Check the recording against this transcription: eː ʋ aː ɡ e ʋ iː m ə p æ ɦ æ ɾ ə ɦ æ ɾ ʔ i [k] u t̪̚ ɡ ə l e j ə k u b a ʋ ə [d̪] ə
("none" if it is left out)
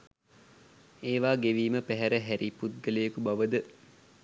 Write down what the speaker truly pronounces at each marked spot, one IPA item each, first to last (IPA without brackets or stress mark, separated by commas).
p, d̪